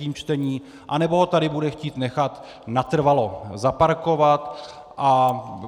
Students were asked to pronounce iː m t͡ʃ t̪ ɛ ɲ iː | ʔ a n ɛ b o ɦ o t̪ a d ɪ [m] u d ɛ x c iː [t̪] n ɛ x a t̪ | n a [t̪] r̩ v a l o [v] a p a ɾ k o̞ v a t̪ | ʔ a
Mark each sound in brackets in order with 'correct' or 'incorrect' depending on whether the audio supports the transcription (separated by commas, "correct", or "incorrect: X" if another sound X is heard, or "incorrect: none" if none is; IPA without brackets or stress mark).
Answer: incorrect: b, correct, correct, incorrect: z